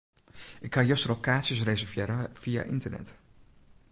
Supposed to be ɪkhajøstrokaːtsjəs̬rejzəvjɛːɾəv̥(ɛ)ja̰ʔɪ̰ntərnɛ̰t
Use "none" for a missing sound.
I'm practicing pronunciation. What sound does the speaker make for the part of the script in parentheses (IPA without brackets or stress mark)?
i